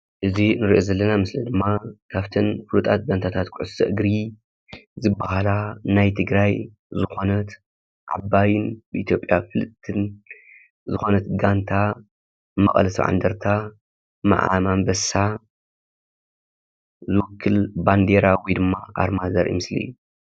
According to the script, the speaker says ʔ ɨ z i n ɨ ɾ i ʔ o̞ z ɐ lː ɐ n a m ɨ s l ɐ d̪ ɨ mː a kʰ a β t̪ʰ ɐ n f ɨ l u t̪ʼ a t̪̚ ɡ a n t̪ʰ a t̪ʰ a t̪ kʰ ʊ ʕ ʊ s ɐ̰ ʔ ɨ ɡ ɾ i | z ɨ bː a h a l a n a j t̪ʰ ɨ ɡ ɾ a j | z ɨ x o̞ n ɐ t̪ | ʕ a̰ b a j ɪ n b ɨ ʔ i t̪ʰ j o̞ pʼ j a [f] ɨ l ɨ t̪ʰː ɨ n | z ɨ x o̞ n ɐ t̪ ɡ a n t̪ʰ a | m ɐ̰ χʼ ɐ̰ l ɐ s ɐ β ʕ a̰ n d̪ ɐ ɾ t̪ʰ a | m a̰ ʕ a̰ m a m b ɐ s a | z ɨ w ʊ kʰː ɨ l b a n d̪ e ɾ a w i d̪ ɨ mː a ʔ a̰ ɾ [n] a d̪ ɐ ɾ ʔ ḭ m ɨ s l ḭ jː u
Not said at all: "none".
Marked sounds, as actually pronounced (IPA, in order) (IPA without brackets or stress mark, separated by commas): f, m